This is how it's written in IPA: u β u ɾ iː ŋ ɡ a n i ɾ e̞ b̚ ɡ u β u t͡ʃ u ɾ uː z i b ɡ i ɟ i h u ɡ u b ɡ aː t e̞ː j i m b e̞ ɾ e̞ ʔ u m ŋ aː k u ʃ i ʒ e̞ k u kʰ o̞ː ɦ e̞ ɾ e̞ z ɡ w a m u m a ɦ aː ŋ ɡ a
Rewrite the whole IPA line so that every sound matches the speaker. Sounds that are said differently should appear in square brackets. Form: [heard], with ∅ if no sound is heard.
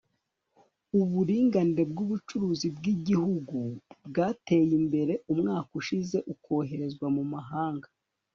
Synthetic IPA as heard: u β u ɾ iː ŋ ɡ a n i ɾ e̞ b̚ ɡ u β u t͡ʃ u ɾ uː z i b ɡ i ɟ i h u ɡ u b ɡ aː t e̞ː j i m b e̞ ɾ e̞ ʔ u m ŋ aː k u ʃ i [z] e̞ [ʔ] u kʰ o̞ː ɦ e̞ ɾ e̞ z ɡ w a m u m a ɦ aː ŋ ɡ a